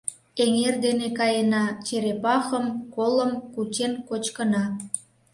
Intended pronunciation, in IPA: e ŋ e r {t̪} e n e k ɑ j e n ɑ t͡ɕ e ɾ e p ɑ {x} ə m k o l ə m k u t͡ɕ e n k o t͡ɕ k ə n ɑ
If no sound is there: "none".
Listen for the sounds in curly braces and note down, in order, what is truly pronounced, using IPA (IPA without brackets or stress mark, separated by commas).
d̪, x